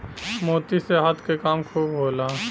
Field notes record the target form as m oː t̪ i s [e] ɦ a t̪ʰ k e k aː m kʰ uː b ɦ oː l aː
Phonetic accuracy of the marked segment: correct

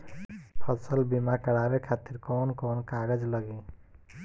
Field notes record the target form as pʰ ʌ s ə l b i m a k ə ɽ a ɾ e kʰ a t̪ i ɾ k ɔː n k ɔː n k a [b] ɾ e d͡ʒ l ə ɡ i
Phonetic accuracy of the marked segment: incorrect: none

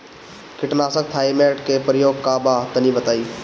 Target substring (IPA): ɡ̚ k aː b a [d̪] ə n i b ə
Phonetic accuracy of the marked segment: incorrect: t̪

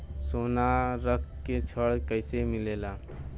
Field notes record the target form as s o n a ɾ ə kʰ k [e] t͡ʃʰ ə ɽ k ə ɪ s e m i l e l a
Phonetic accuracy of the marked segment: correct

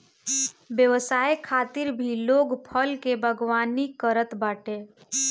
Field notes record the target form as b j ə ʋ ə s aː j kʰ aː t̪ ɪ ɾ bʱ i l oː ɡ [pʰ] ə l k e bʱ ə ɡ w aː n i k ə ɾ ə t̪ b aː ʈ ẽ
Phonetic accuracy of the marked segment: correct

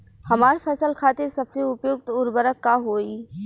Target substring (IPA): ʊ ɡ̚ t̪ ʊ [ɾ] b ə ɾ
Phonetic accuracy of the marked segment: correct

